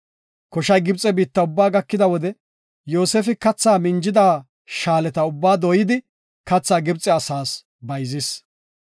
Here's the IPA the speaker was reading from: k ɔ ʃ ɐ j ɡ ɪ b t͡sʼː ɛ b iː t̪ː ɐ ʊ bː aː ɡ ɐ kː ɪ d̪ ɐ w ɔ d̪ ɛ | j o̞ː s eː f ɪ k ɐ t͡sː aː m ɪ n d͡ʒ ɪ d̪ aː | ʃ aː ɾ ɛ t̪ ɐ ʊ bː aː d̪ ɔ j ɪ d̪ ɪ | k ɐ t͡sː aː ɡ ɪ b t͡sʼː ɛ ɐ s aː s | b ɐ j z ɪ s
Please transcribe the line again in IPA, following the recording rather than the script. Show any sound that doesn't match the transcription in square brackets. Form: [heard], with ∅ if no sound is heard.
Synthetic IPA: k ɔ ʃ ɐ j ɡ ɪ b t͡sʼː ɛ b iː t̪ː ɐ ʊ bː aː ɡ ɐ kː ɪ d̪ ɐ w ɔ d̪ ɛ | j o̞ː s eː f ɪ k ɐ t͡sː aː m ɪ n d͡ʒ ɪ d̪ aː | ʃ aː [l] ɛ t̪ ɐ ʊ bː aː d̪ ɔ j ɪ d̪ ɪ | k ɐ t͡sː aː ɡ ɪ b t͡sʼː ɛ ɐ s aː s | b ɐ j z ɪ s